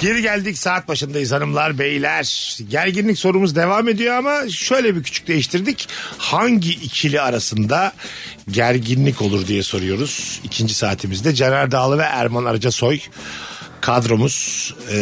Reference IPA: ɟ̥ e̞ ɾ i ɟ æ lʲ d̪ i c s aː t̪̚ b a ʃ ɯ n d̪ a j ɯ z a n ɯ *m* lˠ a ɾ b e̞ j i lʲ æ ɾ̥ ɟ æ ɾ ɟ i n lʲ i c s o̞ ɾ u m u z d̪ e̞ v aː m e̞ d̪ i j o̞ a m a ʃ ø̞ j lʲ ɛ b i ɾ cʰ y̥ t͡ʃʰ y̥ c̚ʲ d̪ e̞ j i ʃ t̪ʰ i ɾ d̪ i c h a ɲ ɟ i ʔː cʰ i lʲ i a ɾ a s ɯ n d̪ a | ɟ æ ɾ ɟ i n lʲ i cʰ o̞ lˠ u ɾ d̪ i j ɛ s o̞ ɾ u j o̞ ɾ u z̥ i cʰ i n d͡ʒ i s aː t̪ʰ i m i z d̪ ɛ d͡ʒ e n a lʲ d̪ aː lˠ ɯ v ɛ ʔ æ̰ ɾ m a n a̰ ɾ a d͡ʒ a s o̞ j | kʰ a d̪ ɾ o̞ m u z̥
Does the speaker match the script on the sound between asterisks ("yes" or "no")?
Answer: yes